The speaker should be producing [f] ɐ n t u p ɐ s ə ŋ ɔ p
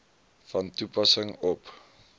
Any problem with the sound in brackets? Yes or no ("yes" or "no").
no